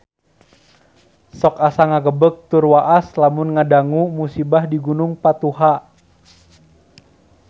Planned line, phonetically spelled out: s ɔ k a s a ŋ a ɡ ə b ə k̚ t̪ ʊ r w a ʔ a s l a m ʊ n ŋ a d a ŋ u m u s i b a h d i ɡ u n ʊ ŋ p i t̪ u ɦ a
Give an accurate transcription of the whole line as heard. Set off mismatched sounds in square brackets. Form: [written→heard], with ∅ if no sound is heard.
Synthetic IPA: s ɔ k a s a ŋ a ɡ ə b ə k̚ t̪ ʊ r w a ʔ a s l a m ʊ n ŋ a d a ŋ u m u s i b a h d i ɡ u n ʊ ŋ p [i→a] t̪ u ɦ a